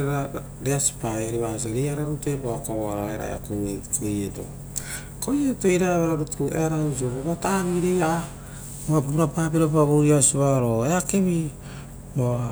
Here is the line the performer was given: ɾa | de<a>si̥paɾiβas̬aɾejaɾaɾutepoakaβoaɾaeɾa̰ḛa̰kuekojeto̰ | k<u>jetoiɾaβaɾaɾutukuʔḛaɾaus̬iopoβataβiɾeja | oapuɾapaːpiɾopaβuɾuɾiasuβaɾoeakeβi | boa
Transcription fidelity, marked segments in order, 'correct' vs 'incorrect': correct, incorrect: o

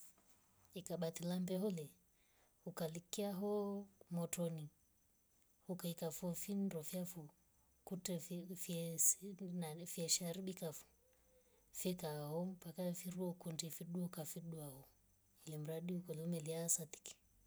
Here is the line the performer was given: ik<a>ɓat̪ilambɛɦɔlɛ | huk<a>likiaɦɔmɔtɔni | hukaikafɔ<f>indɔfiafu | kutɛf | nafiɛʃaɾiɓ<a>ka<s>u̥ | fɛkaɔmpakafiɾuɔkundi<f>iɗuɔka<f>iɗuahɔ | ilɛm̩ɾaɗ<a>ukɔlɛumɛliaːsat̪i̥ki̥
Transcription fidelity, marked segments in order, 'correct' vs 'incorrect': correct, correct, correct, incorrect: i, incorrect: f, correct, correct, incorrect: i

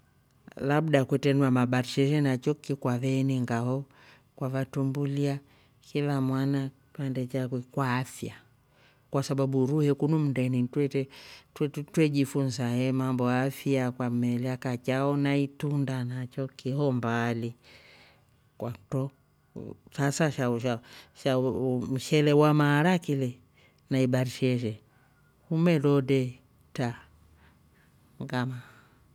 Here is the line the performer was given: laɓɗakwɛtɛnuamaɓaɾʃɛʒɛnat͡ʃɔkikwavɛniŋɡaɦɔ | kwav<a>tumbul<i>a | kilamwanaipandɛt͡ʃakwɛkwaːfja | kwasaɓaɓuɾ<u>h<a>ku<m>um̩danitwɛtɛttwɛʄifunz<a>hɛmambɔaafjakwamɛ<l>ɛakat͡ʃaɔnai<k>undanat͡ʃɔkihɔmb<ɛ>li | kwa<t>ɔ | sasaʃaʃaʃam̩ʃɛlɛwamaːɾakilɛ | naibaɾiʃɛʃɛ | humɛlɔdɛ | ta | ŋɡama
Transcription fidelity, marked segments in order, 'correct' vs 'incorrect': correct, correct, correct, incorrect: ɛ, incorrect: n, correct, correct, incorrect: t, incorrect: a, correct

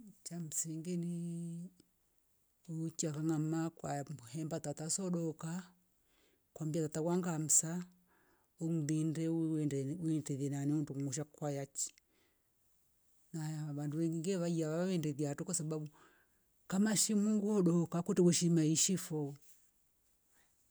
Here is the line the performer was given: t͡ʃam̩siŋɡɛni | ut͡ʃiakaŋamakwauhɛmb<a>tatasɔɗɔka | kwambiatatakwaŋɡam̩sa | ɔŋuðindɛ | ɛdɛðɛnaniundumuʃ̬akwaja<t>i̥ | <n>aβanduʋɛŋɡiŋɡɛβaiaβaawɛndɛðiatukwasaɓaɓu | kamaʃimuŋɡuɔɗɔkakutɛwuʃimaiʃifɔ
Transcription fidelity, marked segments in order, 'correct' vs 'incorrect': correct, incorrect: t͡ʃ, correct

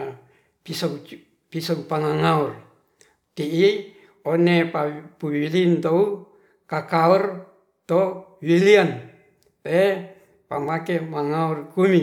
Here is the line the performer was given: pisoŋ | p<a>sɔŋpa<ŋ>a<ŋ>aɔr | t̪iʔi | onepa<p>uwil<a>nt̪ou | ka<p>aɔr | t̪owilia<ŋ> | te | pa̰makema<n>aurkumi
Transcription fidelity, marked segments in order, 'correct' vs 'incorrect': incorrect: i, correct, correct, correct, incorrect: i, incorrect: k, incorrect: n, incorrect: ŋ

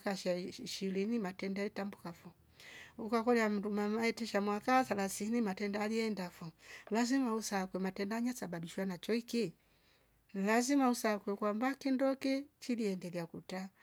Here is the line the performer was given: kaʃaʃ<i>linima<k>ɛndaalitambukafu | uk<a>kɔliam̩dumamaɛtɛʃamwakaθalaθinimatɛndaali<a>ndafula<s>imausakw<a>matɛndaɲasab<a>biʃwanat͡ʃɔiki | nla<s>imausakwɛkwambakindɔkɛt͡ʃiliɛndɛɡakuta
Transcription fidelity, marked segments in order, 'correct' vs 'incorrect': correct, incorrect: t, correct, incorrect: ɛ, incorrect: z, incorrect: ɛ, correct, incorrect: z

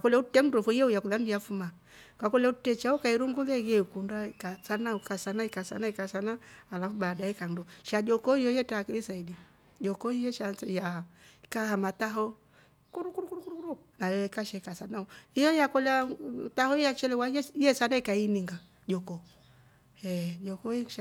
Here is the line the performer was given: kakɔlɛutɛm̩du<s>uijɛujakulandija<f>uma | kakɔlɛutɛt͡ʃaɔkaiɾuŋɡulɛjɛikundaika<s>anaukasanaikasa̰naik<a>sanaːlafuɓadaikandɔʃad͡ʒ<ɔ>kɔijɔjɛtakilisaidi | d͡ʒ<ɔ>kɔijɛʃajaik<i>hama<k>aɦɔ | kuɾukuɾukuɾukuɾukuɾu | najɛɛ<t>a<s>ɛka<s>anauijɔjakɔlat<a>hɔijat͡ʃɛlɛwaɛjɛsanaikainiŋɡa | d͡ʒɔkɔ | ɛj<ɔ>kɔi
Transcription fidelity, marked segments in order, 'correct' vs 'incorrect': incorrect: f, correct, correct, correct, correct, correct, incorrect: a, incorrect: t, incorrect: k, incorrect: ʃ, correct, correct, correct

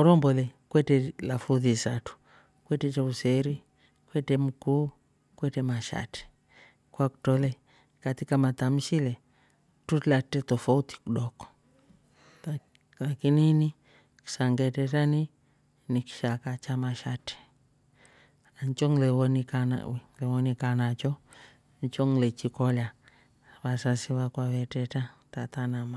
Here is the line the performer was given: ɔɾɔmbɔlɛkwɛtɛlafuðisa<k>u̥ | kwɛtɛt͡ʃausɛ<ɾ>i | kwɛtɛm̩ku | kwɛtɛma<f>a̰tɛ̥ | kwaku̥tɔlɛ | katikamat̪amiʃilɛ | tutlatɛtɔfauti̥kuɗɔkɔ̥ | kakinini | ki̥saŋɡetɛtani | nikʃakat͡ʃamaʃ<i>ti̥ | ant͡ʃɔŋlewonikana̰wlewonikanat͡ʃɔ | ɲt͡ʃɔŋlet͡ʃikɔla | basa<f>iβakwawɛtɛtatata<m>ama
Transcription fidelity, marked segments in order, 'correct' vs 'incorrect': incorrect: t, correct, incorrect: ʃ, incorrect: a, incorrect: s, incorrect: n

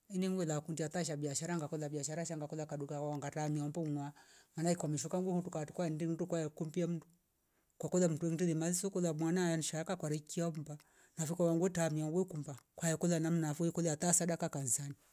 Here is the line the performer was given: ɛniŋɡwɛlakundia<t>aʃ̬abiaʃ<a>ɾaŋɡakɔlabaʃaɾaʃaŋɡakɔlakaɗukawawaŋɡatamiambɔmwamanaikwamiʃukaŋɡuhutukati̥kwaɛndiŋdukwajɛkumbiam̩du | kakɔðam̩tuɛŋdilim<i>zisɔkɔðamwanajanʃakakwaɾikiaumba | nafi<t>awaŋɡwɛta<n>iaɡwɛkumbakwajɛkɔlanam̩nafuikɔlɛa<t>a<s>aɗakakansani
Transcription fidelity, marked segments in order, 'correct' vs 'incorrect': correct, correct, incorrect: a, incorrect: k, incorrect: m, correct, correct

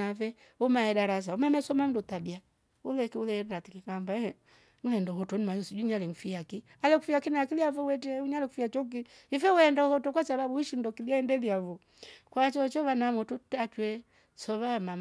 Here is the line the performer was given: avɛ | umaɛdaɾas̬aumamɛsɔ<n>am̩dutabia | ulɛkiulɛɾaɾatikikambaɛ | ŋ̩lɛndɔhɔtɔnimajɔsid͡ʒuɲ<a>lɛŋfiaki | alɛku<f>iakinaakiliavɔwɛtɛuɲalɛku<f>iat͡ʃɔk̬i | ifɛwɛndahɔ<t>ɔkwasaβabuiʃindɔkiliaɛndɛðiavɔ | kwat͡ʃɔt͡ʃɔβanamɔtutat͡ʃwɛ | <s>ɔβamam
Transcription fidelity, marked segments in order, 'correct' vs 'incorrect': incorrect: m, correct, correct, correct, correct, correct

